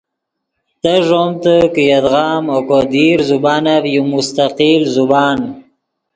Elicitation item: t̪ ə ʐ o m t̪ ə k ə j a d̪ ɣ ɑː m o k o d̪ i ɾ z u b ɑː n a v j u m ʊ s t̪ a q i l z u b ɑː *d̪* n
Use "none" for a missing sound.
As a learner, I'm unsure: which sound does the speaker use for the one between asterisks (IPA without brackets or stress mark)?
none